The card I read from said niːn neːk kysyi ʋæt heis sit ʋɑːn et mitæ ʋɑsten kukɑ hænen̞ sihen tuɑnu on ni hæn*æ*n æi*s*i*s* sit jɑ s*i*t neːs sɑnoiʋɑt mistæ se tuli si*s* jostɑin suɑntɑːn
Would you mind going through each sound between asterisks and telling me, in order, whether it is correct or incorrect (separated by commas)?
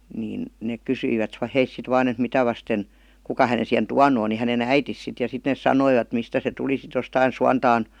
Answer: incorrect, incorrect, correct, correct, incorrect